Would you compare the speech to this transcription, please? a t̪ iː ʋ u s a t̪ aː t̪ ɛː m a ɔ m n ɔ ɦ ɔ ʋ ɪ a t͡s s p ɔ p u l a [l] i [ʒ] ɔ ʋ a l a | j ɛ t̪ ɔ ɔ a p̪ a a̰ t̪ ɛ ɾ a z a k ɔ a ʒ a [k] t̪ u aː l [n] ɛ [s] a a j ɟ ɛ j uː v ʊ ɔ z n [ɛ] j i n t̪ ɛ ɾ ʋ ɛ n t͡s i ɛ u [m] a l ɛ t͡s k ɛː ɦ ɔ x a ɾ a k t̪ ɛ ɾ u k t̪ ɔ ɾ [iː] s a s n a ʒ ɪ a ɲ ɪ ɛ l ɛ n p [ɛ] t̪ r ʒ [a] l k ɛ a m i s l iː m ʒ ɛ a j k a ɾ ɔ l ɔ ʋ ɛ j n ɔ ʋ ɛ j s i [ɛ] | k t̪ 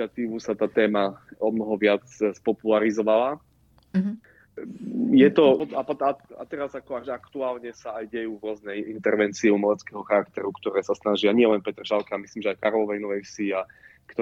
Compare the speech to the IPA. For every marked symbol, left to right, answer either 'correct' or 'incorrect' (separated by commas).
incorrect, incorrect, correct, incorrect, correct, correct, correct, incorrect, correct, correct, incorrect